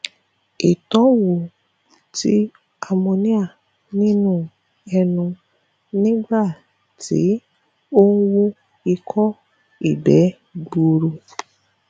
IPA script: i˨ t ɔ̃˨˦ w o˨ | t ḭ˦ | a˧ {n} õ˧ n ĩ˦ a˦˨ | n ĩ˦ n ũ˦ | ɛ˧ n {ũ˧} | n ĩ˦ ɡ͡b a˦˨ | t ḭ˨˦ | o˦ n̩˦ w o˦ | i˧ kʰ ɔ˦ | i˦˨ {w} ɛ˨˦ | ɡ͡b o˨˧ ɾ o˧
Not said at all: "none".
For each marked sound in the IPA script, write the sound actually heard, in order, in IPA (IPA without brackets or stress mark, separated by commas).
m, ũ˧, b